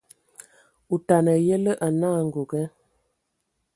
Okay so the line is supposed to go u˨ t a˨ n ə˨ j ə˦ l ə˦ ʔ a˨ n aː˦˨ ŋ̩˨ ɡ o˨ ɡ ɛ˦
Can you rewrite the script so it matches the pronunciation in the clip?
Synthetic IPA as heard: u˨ t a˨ n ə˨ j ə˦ l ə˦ ʔ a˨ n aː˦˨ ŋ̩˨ ɡ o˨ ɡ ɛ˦